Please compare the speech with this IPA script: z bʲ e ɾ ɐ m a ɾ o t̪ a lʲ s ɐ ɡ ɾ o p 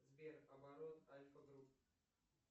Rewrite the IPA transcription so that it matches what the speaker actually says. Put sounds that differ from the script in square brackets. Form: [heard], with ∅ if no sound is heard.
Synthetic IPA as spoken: z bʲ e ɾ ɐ [b] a ɾ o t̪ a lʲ [f] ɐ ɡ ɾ [u] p